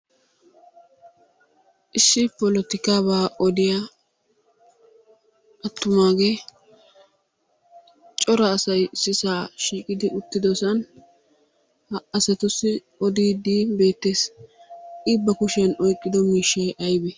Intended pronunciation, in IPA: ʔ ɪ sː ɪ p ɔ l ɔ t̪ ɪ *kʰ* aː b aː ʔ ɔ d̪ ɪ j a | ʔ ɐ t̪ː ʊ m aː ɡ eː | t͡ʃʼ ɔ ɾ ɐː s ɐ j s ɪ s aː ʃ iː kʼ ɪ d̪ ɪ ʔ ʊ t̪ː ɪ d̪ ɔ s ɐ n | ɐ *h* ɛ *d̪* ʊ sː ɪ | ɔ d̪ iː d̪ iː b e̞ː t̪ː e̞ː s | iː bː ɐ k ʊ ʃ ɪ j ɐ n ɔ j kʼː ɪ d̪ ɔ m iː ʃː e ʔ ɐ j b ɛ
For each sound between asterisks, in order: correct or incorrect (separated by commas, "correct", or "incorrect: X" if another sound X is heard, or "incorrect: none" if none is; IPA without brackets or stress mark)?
incorrect: k, incorrect: s, incorrect: t̪